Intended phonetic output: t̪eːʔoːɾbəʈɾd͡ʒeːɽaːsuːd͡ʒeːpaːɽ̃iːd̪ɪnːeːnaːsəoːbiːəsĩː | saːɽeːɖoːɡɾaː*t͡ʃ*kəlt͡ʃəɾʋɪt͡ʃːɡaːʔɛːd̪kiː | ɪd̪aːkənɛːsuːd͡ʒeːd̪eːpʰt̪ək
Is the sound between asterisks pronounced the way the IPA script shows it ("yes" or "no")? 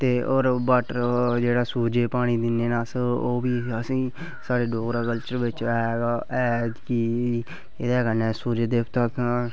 no